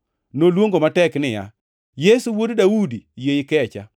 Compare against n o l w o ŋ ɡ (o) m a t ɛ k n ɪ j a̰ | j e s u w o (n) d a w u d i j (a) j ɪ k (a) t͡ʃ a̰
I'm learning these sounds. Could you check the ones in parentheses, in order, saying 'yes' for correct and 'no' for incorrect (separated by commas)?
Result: yes, no, no, no